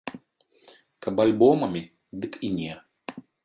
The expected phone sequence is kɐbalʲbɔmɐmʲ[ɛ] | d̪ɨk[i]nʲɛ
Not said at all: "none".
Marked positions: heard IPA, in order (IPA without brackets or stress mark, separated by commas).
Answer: i, i